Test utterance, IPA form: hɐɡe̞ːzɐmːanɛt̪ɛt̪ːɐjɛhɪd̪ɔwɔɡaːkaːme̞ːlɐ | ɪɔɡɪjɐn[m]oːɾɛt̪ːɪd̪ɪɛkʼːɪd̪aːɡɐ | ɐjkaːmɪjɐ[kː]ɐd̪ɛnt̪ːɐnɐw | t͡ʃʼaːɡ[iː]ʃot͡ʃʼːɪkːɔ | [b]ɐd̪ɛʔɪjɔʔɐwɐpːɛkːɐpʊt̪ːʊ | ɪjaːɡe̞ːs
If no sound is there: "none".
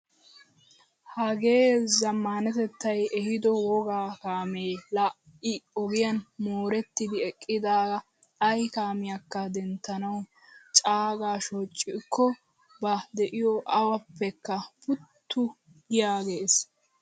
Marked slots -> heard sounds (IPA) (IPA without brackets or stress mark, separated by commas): m, kː, aː, b